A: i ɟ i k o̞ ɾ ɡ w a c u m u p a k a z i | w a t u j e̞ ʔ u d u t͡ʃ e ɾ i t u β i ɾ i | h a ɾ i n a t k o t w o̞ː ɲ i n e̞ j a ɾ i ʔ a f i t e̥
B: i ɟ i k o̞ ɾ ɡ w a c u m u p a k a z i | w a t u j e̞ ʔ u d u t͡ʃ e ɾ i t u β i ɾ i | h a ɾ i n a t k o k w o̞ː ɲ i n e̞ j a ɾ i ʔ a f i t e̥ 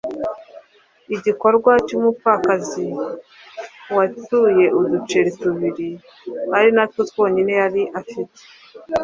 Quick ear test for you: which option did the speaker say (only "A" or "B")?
A